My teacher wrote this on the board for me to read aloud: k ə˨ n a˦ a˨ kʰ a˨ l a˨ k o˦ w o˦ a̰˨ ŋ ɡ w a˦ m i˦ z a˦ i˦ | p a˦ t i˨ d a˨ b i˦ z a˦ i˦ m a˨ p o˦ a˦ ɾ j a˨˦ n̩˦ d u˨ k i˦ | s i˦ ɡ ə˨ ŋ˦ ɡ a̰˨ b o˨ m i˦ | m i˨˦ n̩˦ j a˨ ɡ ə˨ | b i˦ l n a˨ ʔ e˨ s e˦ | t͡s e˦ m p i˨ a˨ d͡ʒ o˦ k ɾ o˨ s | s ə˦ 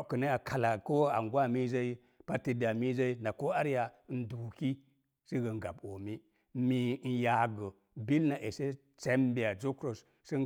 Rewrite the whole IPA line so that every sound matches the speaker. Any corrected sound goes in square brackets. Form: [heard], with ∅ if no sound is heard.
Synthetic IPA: k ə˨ n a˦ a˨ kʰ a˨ l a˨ k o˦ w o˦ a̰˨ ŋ ɡ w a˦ m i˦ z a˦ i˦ | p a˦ t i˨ d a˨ [m] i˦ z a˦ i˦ [n] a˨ [k] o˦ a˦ ɾ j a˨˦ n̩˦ d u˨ k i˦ | s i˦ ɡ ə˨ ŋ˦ ɡ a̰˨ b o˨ m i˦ | m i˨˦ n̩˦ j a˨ ɡ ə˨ | b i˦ l n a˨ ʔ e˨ s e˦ | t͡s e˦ m [b] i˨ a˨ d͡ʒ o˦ k ɾ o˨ s | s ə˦